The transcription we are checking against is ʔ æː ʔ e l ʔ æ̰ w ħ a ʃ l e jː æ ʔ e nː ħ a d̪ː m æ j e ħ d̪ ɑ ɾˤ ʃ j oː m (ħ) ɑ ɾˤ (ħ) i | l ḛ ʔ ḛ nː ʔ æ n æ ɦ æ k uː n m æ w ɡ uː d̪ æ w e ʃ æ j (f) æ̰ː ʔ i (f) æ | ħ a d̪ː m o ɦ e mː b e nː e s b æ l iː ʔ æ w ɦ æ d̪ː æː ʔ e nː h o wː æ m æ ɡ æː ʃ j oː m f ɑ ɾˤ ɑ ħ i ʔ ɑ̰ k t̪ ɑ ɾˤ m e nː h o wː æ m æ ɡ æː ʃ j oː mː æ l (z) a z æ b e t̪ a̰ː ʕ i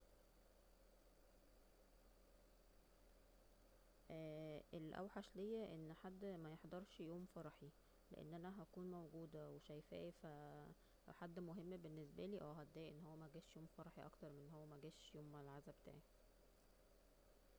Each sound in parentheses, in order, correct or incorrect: incorrect, correct, correct, correct, incorrect

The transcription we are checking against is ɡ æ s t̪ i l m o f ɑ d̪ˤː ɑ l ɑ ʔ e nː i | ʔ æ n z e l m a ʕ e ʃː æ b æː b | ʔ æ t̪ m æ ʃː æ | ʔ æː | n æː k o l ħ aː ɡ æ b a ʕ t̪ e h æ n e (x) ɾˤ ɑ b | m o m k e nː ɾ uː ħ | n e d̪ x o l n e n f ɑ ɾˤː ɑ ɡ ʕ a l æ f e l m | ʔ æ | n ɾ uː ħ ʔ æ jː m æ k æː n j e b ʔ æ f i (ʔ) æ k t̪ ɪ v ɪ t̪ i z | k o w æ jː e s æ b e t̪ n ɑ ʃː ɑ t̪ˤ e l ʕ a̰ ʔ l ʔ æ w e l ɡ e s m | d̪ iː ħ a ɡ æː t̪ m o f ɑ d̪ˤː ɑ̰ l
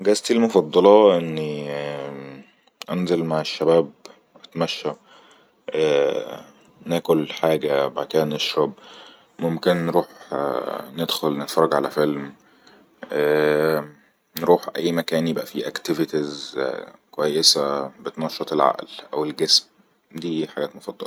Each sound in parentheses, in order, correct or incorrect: incorrect, correct

